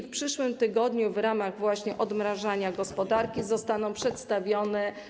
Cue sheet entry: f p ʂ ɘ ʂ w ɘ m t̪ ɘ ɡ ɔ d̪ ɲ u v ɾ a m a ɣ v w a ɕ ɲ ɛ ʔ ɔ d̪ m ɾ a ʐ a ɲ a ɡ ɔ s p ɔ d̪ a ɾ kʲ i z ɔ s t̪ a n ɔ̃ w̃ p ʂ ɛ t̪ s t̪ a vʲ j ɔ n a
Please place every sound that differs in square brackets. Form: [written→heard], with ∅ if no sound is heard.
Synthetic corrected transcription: f p ʂ ɘ ʂ w ɘ m t̪ ɘ ɡ ɔ d̪ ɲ u v ɾ a m a ɣ v w a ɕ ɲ ɛ ʔ ɔ d̪ m ɾ a ʐ a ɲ a ɡ ɔ s p ɔ d̪ a ɾ kʲ i z ɔ s t̪ a n ɔ̃ w̃ p ʂ ɛ t̪ s t̪ a vʲ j ɔ n [a→ɛ]